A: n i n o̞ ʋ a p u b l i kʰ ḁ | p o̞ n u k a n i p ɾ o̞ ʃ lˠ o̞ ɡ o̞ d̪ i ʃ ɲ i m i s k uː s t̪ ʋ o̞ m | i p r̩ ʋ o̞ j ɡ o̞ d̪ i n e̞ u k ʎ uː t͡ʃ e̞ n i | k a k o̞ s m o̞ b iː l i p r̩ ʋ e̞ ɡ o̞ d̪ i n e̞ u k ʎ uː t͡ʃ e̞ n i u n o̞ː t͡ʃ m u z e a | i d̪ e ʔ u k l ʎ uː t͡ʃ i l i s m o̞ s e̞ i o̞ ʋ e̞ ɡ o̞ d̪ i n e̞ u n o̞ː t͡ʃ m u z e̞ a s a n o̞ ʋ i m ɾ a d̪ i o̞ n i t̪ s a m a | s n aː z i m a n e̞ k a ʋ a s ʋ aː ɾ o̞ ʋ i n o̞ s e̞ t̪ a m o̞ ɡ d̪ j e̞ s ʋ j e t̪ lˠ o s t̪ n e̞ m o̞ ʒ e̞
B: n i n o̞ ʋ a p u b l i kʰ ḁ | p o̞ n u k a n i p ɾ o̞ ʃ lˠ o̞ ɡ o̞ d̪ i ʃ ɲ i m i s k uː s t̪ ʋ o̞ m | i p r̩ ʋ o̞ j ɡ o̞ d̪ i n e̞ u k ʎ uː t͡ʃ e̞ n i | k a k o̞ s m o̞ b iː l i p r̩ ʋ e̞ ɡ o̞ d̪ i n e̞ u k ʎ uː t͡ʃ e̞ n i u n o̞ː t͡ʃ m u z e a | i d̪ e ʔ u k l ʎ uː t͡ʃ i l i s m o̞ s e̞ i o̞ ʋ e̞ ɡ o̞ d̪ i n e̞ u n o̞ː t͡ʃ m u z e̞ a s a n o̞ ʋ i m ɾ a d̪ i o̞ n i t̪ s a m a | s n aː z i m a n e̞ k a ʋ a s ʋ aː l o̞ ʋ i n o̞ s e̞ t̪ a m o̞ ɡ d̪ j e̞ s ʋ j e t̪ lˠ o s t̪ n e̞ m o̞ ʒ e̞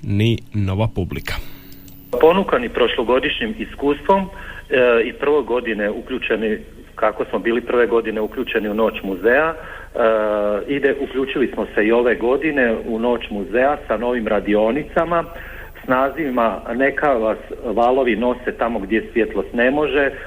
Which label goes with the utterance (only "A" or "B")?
B